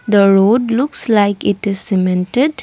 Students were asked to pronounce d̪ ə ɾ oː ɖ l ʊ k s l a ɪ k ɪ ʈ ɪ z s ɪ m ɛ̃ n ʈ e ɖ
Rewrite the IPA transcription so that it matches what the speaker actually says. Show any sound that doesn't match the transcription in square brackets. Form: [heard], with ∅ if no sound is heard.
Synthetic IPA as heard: d̪ ə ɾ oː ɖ l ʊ k s l a ɪ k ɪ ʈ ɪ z s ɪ m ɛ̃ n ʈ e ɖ